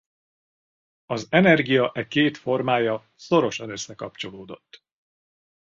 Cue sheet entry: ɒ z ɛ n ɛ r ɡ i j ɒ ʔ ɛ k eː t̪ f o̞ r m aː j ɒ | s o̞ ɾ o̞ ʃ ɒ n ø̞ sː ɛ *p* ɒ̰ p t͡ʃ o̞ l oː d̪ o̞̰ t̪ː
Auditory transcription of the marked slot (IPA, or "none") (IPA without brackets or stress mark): k